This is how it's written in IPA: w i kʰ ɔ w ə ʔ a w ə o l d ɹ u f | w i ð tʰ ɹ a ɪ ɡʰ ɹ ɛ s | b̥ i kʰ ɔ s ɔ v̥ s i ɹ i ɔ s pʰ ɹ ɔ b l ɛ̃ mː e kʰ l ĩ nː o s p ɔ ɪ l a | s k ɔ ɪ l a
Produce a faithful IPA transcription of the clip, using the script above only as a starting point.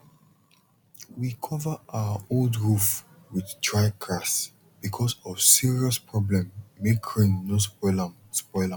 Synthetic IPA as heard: w i kʰ ɔ v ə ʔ a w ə o l d ɹ u f | w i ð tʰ ɹ a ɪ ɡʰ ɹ a s | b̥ i kʰ ɔ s ɔ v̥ s i ɹ i ɔ s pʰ ɹ ɔ b l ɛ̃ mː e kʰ ɹ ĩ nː o s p ɔ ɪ l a | s p ɔ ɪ l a